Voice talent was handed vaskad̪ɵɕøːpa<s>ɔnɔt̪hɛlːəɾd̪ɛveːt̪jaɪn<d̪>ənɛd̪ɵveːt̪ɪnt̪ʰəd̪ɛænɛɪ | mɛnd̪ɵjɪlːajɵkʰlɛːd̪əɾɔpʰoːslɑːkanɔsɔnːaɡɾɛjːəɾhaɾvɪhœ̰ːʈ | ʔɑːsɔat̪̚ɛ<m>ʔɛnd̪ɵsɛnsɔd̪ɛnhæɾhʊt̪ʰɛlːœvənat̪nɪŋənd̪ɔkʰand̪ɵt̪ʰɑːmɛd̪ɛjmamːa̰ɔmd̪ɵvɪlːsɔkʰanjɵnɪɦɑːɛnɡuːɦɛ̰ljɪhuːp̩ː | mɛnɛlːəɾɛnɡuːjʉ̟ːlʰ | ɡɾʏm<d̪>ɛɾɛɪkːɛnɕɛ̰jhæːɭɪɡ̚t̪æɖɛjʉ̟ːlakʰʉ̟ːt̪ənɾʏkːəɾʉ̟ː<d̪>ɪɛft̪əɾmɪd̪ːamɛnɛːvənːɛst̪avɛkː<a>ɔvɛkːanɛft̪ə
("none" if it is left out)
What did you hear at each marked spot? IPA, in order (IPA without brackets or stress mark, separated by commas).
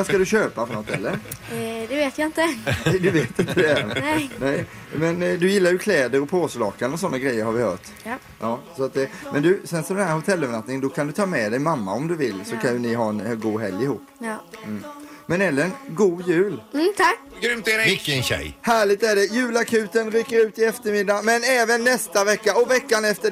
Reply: f, t̪, m, t̪, t̪, a